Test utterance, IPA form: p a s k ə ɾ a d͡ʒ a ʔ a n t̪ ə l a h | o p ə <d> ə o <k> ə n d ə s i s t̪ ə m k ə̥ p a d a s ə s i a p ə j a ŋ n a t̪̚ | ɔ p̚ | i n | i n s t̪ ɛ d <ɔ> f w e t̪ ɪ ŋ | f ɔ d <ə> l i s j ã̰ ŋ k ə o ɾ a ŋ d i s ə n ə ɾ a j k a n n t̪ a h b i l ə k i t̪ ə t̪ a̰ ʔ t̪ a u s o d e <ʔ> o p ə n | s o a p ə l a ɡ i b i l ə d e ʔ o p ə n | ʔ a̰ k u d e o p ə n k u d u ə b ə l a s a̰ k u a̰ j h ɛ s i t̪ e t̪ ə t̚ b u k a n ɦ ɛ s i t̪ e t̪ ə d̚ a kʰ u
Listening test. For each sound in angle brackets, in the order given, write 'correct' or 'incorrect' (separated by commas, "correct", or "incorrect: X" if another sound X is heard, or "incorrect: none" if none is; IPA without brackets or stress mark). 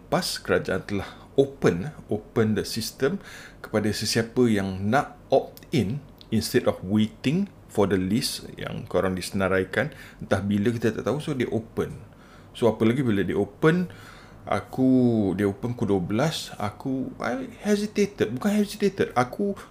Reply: incorrect: n, incorrect: p, correct, correct, correct